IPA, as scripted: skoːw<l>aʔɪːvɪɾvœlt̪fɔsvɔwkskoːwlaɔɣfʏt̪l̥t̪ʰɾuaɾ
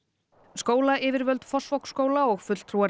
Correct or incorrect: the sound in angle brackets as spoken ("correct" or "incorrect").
correct